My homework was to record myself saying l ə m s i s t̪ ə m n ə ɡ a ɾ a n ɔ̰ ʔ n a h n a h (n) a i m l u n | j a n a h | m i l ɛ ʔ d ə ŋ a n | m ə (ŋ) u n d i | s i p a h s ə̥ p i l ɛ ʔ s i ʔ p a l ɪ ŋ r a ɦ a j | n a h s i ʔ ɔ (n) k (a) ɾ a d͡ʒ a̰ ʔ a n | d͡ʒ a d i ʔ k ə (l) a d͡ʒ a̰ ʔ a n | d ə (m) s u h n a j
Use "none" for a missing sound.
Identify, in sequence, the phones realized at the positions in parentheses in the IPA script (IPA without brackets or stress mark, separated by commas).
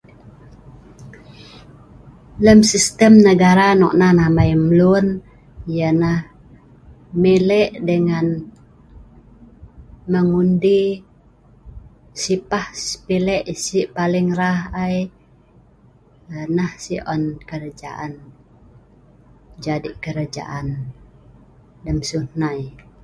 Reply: m, ŋ, n, ə, ɾ, m